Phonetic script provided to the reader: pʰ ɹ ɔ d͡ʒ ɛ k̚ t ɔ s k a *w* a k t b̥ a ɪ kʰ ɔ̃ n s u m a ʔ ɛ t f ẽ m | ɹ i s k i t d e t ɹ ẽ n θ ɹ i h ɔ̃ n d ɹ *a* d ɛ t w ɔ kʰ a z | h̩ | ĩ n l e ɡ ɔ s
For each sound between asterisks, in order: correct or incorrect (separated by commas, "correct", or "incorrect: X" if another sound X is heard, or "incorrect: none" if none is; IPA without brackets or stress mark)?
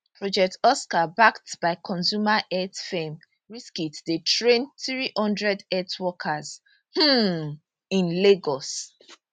incorrect: b, incorrect: ɛ